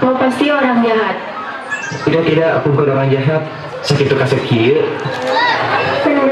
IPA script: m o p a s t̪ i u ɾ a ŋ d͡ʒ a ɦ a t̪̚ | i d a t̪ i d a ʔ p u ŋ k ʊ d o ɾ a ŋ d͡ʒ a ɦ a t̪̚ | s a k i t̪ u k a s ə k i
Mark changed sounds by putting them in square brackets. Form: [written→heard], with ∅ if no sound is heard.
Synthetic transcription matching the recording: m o p a s t̪ i [u→o] ɾ a ŋ d͡ʒ a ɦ a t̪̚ | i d a t̪ i d a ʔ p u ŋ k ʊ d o ɾ a ŋ d͡ʒ a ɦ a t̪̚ | s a k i t̪ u k a s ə k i

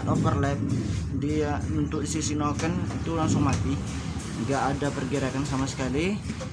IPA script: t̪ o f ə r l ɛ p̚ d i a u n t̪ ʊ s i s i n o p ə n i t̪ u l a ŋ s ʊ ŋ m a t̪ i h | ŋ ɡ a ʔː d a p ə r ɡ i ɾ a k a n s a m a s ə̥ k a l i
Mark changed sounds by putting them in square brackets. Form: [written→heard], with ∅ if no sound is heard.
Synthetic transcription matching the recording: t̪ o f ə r l ɛ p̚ d i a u n t̪ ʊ s i s i n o [p→k] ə n i t̪ u l a ŋ s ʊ ŋ m a t̪ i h | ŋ ɡ a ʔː d a p ə r ɡ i ɾ a k a n s a m a s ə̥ k a l i

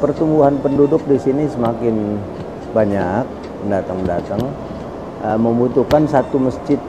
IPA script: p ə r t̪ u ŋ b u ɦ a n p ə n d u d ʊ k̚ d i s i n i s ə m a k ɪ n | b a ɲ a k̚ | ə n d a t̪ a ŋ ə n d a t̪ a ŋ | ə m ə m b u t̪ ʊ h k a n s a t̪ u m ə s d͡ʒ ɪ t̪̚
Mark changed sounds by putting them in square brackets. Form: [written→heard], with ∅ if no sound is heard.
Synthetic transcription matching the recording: p ə r t̪ u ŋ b u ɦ a n p ə n d u d ʊ k̚ d i s i n i s ə m a k ɪ n | b a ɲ a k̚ | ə n d a t̪ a ŋ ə n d a t̪ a ŋ | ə m ə m b u t̪ [ʊ→u] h k a n s a t̪ u m ə s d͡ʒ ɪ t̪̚

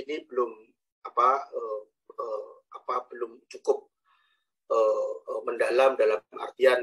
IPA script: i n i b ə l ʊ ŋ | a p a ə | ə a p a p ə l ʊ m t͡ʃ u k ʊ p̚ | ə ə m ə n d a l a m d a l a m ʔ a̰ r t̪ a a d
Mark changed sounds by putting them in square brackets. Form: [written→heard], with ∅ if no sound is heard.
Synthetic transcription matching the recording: i n i b ə l ʊ [ŋ→m] | a p a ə | ə a p a [p→b] ə l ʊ m t͡ʃ u k ʊ p̚ | ə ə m ə n d a l a m d a l a m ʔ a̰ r t̪ [a→i] a [d→n]

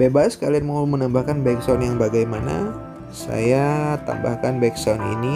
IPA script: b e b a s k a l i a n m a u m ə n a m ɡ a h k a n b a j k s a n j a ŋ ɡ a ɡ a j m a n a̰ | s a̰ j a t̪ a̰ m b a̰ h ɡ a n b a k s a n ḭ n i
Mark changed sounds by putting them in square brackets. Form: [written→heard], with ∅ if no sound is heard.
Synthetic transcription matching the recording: b e b a s k a l i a n m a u m ə n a m [ɡ→b] a h k a n b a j k s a n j a ŋ [ɡ→b] a ɡ a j m a n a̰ | s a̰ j a t̪ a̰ m b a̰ h [ɡ→k] a n b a k s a n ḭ n i

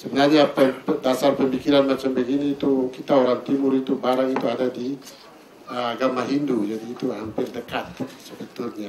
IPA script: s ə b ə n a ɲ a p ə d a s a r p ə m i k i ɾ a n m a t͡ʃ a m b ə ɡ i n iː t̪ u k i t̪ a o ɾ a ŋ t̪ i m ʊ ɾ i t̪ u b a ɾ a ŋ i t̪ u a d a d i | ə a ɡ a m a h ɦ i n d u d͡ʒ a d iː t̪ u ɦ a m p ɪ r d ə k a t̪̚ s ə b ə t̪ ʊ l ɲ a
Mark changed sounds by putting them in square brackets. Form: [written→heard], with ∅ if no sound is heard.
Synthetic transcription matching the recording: s ə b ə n a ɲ a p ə d a s a r p ə m i k i ɾ a n m a t͡ʃ a m b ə ɡ i n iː t̪ u k i t̪ a o ɾ a ŋ t̪ i m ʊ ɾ i t̪ u b a ɾ a ŋ i t̪ u a d a d i | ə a ɡ a m a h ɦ i n d u d͡ʒ a d iː t̪ u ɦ a m p ɪ r d ə k a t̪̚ s ə b ə t̪ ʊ l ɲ a

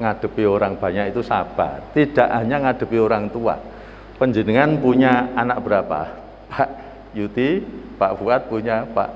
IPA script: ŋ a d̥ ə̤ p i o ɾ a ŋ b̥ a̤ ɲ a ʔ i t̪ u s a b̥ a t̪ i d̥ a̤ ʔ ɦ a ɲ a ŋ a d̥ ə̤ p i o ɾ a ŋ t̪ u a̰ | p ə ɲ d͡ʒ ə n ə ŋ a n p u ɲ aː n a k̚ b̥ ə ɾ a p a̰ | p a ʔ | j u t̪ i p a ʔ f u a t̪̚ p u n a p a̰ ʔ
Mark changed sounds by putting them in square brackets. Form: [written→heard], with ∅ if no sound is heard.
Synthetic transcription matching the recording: ŋ a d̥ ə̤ p i o ɾ a ŋ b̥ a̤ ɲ a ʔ i t̪ u s a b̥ a t̪ i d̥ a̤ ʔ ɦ a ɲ a ŋ a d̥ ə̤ p i o ɾ a ŋ t̪ u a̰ | p ə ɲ d͡ʒ ə n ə ŋ a n p u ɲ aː n a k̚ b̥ ə ɾ a p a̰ | p a ʔ | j u t̪ i p a ʔ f u a t̪̚ p u [n→ɲ] a p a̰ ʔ

